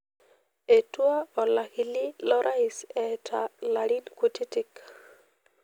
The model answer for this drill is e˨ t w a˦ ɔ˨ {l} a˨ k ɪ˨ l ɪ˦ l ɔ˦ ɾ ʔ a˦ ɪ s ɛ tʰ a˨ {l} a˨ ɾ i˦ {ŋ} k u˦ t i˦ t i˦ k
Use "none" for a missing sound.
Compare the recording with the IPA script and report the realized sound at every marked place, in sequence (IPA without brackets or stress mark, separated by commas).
l, l, n